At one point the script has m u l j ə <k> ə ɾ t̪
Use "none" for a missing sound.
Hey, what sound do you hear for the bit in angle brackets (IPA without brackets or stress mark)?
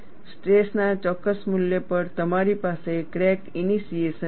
p